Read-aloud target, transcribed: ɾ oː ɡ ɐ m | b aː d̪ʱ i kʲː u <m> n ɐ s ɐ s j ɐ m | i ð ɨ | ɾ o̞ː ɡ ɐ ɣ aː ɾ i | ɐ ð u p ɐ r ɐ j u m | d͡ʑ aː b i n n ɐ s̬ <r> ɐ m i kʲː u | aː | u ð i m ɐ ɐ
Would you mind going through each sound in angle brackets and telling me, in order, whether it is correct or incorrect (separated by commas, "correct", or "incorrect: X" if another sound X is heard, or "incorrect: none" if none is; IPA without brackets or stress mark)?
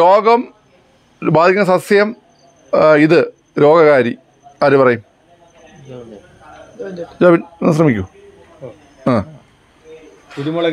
incorrect: none, correct